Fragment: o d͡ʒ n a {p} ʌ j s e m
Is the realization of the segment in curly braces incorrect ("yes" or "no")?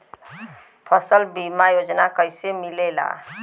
yes